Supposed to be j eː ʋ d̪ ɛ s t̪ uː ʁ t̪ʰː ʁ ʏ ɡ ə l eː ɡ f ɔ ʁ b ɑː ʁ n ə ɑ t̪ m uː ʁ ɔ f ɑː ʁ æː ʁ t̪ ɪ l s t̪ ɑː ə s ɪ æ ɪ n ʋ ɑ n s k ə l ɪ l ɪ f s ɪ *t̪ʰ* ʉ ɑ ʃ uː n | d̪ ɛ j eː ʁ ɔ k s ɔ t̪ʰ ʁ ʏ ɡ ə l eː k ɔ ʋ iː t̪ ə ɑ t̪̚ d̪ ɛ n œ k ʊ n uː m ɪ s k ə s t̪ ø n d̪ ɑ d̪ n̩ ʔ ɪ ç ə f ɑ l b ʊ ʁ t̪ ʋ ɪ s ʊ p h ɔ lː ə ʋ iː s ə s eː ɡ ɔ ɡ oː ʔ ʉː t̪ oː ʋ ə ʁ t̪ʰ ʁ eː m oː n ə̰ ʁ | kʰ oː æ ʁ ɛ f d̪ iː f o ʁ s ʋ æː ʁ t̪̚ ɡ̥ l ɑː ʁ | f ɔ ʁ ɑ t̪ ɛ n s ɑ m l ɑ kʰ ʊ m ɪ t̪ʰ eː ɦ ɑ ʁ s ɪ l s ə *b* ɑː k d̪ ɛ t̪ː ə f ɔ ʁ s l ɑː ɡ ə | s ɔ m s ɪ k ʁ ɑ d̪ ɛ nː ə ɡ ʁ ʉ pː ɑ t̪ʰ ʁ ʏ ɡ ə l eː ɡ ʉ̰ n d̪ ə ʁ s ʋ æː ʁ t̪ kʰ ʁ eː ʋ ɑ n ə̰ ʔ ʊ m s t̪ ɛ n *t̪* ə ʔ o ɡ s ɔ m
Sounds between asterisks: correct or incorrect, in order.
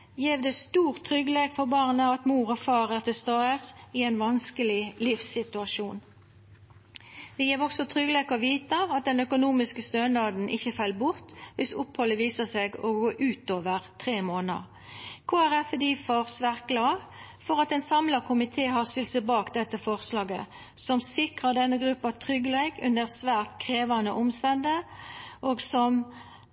incorrect: t̪, correct, incorrect: d̪

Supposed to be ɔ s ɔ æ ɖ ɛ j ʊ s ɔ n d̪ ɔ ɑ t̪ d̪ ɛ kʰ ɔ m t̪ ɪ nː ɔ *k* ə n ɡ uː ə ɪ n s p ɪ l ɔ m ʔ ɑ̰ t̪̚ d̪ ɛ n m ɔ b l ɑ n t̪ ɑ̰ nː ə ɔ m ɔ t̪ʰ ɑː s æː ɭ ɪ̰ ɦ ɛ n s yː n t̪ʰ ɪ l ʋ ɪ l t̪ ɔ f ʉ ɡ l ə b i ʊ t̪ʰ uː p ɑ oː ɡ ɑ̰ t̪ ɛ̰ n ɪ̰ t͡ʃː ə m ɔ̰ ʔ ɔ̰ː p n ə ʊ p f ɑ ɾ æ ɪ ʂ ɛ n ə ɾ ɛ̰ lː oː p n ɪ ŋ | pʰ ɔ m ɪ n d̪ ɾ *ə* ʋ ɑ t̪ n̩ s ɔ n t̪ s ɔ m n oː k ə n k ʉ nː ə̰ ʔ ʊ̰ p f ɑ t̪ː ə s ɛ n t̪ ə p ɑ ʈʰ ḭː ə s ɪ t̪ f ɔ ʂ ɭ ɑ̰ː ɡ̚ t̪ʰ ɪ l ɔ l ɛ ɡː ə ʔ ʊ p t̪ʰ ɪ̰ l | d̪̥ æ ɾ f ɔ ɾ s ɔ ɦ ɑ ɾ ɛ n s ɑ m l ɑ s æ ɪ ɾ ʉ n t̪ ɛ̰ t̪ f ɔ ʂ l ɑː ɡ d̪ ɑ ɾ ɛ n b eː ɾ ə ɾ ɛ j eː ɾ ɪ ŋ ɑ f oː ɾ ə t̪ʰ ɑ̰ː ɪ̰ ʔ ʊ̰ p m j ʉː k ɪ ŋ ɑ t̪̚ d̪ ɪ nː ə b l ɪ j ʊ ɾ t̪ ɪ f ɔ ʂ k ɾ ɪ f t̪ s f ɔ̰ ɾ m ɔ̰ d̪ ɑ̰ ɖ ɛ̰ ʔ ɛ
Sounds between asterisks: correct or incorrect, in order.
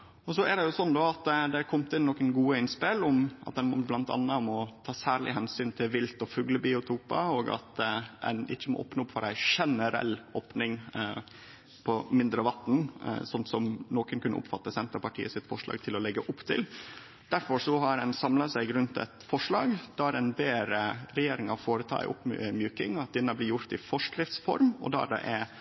correct, correct

